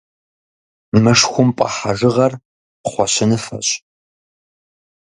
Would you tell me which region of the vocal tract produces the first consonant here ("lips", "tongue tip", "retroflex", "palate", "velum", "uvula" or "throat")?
lips